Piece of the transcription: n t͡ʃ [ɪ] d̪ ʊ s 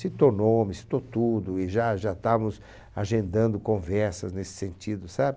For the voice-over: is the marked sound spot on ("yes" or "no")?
no